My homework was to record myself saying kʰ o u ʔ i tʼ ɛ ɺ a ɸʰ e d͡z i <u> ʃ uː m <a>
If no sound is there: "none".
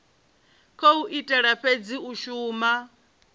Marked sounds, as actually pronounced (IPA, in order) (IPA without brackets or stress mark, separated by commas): u, a